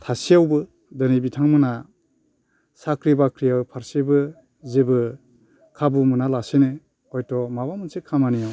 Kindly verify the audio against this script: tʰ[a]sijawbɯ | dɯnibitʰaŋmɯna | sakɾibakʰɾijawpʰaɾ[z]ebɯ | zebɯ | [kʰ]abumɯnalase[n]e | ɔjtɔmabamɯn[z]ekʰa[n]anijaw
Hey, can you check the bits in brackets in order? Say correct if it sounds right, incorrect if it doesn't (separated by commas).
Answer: correct, incorrect, correct, correct, incorrect, incorrect